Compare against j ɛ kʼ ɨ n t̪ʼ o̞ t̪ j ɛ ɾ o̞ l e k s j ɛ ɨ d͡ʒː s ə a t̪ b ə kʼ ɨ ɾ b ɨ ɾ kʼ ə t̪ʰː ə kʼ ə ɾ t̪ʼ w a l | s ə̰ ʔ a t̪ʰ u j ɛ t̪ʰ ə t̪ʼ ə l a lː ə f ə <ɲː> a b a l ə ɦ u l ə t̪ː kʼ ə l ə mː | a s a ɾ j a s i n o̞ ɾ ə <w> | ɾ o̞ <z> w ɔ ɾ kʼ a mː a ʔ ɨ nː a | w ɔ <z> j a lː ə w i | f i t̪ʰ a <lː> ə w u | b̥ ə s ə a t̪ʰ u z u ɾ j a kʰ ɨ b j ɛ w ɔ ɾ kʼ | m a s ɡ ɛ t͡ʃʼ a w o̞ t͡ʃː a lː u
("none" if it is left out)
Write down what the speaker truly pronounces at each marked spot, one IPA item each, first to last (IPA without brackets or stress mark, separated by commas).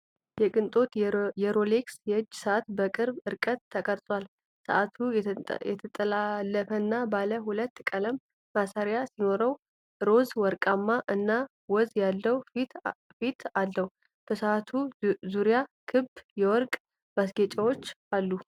nː, w, z, z, lː